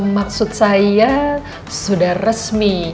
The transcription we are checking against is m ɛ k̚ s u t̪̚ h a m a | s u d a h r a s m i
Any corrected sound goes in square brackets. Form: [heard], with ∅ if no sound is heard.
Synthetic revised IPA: m [a] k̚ s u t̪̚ [s] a [∅] a | s u d a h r [ə] s m i